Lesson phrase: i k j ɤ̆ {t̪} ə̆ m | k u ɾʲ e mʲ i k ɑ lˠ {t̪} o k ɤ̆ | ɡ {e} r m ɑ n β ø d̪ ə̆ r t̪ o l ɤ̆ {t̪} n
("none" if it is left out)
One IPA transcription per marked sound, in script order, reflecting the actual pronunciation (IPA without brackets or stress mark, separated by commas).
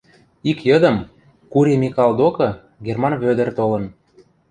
d̪, d̪, e, none